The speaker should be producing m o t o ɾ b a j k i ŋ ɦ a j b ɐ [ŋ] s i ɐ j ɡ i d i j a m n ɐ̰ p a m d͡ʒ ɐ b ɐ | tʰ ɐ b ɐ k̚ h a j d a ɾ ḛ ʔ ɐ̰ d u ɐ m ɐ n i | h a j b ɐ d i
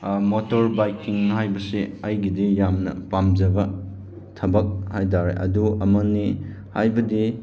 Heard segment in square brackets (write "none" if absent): none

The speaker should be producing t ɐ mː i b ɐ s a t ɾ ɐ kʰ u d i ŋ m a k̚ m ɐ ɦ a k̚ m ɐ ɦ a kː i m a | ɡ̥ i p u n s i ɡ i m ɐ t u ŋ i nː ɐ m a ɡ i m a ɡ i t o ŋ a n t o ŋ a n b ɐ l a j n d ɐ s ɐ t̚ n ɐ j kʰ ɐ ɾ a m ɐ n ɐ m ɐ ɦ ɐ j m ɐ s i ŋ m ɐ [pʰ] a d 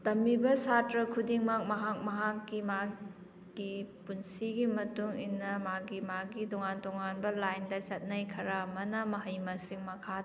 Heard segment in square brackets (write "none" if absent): kʰ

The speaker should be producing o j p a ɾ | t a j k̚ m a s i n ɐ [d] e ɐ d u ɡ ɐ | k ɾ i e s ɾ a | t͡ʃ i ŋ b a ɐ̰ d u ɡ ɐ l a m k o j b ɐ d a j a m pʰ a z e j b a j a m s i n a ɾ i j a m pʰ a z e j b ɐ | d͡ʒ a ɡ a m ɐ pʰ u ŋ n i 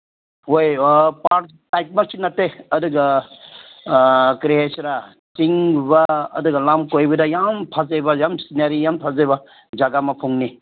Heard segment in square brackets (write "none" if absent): t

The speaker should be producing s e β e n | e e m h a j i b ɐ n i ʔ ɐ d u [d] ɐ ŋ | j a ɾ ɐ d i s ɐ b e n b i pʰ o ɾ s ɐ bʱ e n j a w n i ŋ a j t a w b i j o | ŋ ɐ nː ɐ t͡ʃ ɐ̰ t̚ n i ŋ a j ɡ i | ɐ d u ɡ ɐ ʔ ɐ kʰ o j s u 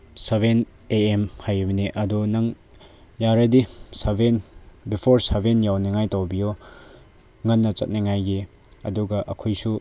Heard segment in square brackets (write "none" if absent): n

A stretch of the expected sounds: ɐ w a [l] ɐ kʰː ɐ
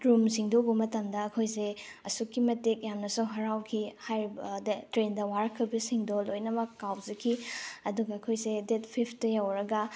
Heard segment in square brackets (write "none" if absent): ɾ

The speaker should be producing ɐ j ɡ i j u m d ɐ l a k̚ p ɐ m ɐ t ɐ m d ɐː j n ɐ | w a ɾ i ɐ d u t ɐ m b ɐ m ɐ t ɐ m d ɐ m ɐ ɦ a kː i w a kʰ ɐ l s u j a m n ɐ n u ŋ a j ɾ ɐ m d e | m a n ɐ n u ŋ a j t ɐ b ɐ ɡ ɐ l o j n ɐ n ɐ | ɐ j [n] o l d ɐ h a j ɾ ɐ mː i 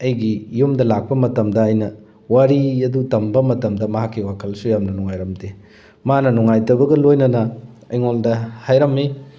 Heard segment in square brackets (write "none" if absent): ŋ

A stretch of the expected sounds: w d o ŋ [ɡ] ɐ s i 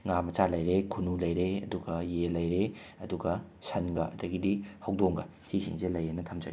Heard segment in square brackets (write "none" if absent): ɡ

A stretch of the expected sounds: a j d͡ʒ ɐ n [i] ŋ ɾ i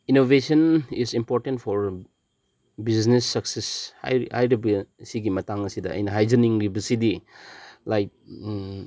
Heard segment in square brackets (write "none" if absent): i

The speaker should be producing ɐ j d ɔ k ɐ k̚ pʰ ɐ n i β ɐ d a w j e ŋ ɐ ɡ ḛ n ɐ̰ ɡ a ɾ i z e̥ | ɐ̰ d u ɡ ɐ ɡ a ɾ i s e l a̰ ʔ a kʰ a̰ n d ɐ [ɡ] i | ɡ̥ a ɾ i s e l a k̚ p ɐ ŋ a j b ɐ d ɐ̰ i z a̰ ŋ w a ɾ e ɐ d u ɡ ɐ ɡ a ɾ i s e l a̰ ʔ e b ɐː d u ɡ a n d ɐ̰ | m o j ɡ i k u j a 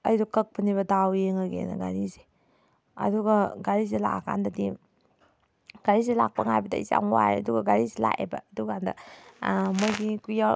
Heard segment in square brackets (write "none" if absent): d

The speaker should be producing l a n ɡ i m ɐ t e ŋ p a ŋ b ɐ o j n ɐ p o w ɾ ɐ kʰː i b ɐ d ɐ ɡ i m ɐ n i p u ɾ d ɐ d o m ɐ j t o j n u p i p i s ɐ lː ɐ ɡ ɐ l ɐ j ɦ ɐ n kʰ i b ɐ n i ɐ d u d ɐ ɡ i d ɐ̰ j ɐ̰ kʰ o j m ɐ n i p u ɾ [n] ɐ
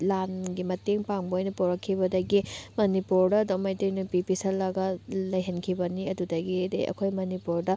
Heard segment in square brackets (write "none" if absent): d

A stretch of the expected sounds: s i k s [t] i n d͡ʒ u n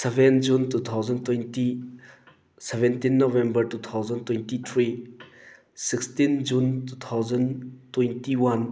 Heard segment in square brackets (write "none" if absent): t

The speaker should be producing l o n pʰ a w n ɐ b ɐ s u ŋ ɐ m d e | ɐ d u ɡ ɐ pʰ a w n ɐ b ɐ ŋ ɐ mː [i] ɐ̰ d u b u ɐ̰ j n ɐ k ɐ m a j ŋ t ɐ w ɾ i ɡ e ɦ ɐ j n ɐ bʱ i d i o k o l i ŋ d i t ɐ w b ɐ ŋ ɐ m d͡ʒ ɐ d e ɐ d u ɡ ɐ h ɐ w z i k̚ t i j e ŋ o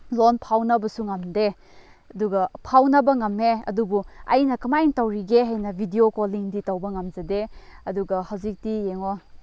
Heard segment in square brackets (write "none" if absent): e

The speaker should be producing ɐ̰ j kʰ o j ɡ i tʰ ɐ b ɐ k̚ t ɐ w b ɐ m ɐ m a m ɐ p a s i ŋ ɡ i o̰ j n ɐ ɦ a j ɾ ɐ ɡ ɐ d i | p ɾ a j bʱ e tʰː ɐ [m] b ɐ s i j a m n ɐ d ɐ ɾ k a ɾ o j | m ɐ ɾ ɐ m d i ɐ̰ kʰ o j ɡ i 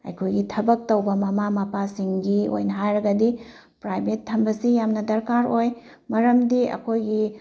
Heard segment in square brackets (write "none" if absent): m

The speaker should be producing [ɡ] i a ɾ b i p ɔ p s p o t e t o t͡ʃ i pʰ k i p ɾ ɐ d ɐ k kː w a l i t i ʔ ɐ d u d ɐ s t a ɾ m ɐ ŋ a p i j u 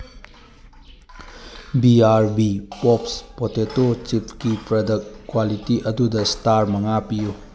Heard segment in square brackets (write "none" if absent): b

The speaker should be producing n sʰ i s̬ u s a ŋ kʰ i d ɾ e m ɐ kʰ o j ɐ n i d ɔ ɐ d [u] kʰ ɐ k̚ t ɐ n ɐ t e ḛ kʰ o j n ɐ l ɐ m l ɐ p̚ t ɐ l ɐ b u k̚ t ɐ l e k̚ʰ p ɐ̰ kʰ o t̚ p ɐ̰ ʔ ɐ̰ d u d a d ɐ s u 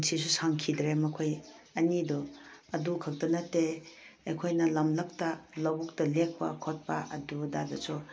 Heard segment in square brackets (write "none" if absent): u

